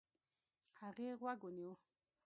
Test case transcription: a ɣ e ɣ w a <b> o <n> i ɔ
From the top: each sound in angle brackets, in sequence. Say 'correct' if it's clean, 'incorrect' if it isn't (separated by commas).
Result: incorrect, correct